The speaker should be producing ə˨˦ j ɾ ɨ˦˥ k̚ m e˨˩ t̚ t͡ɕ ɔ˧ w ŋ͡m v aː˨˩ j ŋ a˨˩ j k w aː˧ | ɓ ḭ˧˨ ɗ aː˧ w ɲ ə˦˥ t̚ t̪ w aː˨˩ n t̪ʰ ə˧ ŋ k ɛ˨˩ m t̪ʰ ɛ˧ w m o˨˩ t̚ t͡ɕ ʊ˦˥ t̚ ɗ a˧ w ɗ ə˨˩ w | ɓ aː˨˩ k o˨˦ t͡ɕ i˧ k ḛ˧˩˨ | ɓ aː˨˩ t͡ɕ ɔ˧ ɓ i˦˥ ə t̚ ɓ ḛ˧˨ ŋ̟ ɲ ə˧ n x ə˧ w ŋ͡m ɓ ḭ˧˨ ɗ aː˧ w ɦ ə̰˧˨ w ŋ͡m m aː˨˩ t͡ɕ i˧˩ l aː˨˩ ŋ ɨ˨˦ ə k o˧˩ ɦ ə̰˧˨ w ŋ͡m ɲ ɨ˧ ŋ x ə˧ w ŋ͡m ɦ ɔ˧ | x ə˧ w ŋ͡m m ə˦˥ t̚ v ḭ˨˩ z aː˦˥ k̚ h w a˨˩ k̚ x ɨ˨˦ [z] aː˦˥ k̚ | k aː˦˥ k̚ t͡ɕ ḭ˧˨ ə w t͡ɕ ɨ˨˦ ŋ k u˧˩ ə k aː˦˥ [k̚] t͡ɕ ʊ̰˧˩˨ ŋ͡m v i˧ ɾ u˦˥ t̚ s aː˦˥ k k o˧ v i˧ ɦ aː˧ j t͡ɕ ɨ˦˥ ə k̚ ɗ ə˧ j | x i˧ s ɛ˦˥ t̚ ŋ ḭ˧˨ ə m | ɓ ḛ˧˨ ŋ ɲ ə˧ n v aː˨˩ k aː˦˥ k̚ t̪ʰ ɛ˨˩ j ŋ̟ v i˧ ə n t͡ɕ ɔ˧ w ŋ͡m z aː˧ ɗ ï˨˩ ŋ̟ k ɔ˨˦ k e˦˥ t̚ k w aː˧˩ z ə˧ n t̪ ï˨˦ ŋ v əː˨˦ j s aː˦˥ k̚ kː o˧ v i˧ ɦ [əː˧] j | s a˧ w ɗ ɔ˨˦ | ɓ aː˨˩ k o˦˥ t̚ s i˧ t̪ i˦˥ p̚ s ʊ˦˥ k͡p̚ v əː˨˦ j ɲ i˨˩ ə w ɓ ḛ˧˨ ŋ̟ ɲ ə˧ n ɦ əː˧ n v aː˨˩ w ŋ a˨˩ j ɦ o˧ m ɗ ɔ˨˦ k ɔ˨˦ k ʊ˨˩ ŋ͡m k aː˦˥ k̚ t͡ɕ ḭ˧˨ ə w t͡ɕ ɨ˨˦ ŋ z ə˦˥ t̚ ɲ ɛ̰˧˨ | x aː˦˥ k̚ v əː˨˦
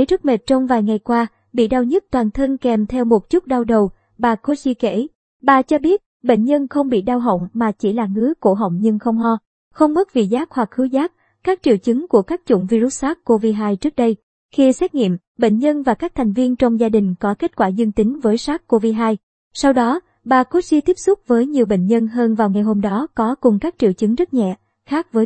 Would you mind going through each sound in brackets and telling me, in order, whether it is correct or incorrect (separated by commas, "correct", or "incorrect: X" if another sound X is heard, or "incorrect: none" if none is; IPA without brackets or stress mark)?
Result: correct, correct, incorrect: aː˧